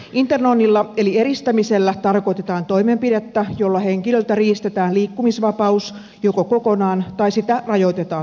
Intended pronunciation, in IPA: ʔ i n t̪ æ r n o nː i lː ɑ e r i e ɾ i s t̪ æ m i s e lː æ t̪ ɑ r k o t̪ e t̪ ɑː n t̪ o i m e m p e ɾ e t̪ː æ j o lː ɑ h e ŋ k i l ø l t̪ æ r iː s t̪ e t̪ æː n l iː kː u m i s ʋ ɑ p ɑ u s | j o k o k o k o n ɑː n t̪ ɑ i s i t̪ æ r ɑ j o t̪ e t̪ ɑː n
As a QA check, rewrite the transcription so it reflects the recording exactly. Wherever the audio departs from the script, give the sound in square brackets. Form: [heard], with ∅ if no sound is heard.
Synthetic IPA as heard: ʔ i n t̪ [e] r n o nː i lː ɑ e [l] i e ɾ i s t̪ æ m i s e lː æ t̪ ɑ r k o t̪ e t̪ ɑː n t̪ o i m e m p [i] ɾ e t̪ː æ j o lː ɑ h e ŋ k i l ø l t̪ æ r iː s t̪ e t̪ æː n l iː kː u m i s ʋ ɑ p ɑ u s | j o k o k o k o n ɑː n t̪ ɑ i s i t̪ æ r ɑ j o t̪ e t̪ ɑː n